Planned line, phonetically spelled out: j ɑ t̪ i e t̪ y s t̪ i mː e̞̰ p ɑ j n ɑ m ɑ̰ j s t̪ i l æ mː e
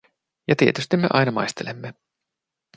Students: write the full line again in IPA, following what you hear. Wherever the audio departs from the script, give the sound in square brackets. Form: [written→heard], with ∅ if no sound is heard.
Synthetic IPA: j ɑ t̪ i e t̪ y s t̪ i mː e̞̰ [p→ʔ] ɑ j n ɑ m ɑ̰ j s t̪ [i→e] l [æ→e] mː e